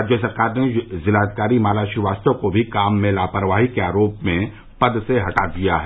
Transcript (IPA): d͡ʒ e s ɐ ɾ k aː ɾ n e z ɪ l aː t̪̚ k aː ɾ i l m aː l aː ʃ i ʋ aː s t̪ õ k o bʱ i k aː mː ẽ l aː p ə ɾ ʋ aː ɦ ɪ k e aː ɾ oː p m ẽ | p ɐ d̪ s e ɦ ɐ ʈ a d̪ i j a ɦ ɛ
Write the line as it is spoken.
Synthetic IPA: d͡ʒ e s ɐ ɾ k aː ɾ n e z ɪ l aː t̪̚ k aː ɾ i m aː l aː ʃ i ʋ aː s t̪ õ k o bʱ i k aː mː ẽ l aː p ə ɾ ʋ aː ɦ i k e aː ɾ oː p m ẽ | p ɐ d̪ s e ɦ ɐ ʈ a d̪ i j a ɦ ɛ

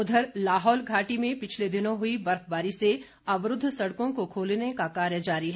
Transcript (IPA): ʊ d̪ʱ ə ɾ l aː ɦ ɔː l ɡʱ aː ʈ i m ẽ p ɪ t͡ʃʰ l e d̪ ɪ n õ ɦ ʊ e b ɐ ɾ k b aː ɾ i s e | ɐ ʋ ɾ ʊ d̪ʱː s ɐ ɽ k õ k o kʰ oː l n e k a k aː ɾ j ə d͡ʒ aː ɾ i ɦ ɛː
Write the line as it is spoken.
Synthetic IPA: ʊ d̪ʱ ə ɾ l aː ɦ ɔː l ɡʱ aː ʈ i m ẽ p ɪ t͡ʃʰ l e d̪ ɪ n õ ɦ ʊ i b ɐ ɾ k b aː ɾ i s e | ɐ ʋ ɾ ʊ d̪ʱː s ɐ ɽ k õ k o kʰ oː l n e k a k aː ɾ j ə d͡ʒ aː ɾ i ɦ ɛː

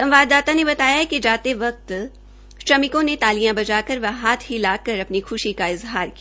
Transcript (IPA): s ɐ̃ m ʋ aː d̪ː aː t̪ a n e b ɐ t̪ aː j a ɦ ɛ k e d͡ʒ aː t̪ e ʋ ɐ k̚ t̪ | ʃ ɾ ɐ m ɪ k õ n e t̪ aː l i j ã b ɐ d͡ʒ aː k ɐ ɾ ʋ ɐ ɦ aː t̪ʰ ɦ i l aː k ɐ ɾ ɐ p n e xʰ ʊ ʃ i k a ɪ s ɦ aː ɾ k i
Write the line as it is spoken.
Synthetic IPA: s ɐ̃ m ʋ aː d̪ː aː t̪ a n e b ɐ t̪ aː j a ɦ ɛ k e d͡ʒ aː t̪ e ʋ ɐ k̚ t̪ | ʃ ɾ ɐ m ɪ k õ n e t̪ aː l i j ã b ɐ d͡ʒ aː k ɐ ɾ ʋ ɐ ɦ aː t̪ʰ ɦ i l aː k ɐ ɾ ɐ p n i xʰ ʊ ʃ i k a ɪ z ɦ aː ɾ k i

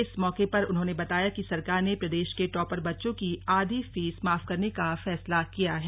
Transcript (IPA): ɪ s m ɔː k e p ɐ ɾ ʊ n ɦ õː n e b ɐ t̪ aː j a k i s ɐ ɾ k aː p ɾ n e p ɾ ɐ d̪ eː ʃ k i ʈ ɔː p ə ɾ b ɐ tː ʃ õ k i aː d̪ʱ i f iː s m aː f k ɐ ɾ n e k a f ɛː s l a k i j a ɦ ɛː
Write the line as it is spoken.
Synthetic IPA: ɪ s m ɔː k e p ɐ ɾ ʊ n ɦ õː n e b ɐ t̪ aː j a k i s ɐ ɾ k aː ɾ n e p ɾ ɐ d̪ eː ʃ k e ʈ ɔː p ə ɾ b ɐ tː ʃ õ k i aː d̪ʱ i f iː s m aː f k ɐ ɾ n e k a f ɛː s l a k i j a ɦ ɛː

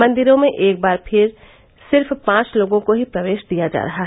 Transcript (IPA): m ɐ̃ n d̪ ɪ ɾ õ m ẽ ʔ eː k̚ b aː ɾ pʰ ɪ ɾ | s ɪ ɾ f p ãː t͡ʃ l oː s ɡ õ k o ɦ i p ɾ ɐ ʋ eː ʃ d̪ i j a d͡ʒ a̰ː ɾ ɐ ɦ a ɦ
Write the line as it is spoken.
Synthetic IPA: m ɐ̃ n d̪ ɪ ɾ õ m ẽ ʔ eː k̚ b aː ɾ pʰ ɪ ɾ | s ɪ ɾ f p ãː t͡ʃ l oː ɡ õ k o ɦ i p ɾ ɐ ʋ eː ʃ d̪ i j a d͡ʒ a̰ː ɾ ɐ ɦ a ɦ

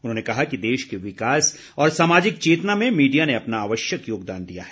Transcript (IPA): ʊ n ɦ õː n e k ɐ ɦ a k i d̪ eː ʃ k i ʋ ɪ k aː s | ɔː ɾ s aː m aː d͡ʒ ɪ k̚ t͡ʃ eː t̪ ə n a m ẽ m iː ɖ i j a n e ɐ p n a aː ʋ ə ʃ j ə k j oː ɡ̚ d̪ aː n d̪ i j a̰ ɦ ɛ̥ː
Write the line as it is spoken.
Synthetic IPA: ʊ n ɦ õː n e k ɐ ɦ a k i d̪ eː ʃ k e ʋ ɪ k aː s | ɔː ɾ s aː m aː d͡ʒ ɪ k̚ t͡ʃ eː t̪ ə n a m ẽ m iː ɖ i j a n e ɐ p n a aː ʋ ə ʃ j ə k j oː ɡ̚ d̪ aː n d̪ i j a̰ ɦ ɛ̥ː

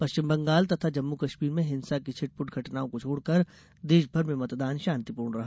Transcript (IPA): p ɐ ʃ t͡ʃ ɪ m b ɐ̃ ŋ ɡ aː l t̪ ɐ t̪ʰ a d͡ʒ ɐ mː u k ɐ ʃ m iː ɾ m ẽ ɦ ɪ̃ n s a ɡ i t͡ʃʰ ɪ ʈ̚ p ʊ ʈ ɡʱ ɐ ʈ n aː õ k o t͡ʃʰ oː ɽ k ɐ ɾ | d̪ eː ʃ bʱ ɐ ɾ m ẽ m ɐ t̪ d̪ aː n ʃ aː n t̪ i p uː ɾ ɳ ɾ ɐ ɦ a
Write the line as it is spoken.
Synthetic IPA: p ɐ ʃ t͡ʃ ɪ m b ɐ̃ ŋ ɡ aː l t̪ ɐ t̪ʰ a d͡ʒ ɐ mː u k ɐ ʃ m iː ɾ m ẽ ɦ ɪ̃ n s a k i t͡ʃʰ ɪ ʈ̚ p ʊ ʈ ɡʱ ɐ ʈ n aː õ k o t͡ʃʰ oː ɽ k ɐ ɾ | d̪ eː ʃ bʱ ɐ ɾ m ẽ m ɐ t̪ d̪ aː n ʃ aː n t̪ i p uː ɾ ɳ ɾ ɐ ɦ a

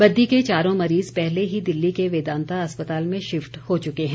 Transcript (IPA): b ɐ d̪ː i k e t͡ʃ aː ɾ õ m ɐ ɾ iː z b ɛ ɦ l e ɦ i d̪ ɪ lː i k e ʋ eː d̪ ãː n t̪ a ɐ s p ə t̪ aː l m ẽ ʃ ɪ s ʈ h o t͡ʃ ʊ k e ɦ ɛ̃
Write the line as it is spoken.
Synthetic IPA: b ɐ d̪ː i k e t͡ʃ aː ɾ õ m ɐ ɾ iː z p ɛ ɦ l e ɦ i d̪ ɪ lː i k e ʋ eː d̪ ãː n t̪ a ɐ s p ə t̪ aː l m ẽ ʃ ɪ f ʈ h o t͡ʃ ʊ k e ɦ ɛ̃

